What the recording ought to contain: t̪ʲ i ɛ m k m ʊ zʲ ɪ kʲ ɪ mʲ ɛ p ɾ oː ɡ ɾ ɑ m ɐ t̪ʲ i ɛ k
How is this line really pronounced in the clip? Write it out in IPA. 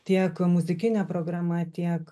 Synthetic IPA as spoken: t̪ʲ i ɛ k m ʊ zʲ ɪ kʲ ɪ nʲ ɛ p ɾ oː ɡ ɾ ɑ m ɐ t̪ʲ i ɛ k